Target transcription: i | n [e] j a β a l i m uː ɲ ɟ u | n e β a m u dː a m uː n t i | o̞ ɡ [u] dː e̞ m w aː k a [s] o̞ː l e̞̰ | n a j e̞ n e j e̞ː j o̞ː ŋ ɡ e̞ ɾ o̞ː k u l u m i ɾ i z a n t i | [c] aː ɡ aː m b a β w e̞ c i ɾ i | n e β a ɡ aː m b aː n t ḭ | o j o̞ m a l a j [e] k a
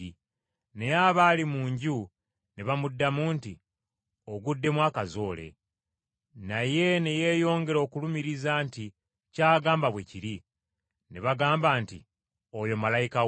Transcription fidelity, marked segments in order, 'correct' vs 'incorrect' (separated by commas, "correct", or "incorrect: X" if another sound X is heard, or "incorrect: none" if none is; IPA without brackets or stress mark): correct, correct, incorrect: z, correct, incorrect: i